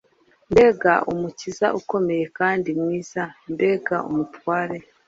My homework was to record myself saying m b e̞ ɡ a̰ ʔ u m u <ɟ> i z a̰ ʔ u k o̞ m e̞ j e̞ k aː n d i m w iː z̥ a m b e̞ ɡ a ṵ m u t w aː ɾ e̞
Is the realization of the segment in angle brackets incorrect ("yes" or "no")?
yes